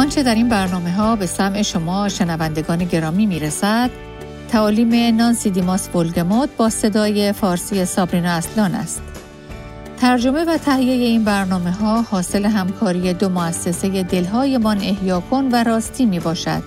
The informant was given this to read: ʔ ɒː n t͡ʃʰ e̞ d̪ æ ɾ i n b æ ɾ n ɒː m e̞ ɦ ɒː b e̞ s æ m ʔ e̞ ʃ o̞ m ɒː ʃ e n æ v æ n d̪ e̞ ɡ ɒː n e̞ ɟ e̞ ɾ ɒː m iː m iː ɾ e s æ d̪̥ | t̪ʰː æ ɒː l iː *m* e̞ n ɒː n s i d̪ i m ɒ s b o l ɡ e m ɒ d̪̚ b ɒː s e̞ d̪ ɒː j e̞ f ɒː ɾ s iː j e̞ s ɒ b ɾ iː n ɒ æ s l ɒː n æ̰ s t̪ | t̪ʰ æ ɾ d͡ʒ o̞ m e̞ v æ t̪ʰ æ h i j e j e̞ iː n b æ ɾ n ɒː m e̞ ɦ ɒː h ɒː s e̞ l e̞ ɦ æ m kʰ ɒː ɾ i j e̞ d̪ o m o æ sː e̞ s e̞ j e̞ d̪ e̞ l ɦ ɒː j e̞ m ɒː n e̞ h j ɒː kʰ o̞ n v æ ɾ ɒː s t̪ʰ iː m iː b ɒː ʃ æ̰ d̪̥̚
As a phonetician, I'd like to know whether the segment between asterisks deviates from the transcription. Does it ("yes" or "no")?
no